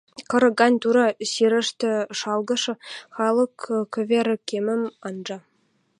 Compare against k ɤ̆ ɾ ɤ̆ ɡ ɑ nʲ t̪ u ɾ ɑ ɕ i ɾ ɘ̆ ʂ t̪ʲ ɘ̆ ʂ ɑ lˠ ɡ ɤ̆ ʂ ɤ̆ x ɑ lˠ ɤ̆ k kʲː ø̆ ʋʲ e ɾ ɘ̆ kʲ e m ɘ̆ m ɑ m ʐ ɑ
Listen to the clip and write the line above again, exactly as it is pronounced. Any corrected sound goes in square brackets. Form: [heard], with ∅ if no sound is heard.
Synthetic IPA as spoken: k ɤ̆ ɾ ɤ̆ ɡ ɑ nʲ t̪ u ɾ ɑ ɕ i ɾ ɘ̆ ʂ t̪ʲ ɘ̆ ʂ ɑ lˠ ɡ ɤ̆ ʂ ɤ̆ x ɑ lˠ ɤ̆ k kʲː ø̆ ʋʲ e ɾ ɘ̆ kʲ e m ɘ̆ m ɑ [n] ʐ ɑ